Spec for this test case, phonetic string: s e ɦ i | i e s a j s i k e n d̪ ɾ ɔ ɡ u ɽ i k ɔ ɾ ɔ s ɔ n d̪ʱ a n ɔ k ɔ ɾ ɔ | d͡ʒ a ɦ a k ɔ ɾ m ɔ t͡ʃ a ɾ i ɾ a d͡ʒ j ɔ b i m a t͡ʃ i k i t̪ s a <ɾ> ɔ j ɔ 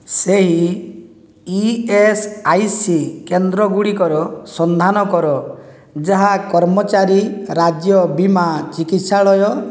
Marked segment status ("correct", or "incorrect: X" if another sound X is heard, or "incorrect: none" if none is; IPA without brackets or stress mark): incorrect: ɭ